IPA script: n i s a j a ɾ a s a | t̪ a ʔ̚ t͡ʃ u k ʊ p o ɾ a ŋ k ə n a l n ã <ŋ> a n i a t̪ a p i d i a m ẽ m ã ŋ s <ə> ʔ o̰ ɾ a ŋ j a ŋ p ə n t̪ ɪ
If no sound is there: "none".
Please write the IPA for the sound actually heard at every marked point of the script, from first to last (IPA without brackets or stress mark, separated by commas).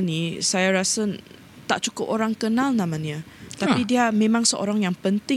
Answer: m, ə